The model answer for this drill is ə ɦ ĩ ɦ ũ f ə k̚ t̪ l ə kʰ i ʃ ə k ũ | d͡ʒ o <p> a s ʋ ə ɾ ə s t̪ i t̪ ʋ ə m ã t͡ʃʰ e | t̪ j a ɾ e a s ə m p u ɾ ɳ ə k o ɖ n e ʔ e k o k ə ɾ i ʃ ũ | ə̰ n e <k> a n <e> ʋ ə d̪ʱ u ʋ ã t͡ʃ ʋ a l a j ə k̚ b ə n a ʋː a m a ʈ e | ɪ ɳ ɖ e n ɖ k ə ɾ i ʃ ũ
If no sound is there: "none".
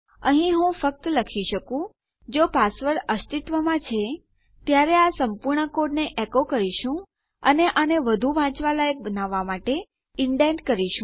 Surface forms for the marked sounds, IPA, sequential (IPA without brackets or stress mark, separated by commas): p, ʔ, e